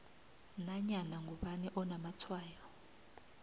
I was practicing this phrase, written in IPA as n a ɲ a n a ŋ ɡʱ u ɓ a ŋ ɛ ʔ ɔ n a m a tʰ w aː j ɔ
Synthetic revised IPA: n a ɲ a n a ŋ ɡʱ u ɓ a n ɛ ʔ ɔ n a m a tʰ w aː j ɔ